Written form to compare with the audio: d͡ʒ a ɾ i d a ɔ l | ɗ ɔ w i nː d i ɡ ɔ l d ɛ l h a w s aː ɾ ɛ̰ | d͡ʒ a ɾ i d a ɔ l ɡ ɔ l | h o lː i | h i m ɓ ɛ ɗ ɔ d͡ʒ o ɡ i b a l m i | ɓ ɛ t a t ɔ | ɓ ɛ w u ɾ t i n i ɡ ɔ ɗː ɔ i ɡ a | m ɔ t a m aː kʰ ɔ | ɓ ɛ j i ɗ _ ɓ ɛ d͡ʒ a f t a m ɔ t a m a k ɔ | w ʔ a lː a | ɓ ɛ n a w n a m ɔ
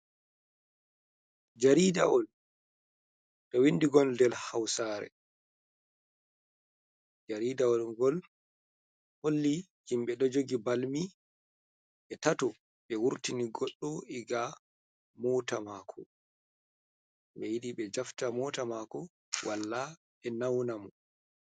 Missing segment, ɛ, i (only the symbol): i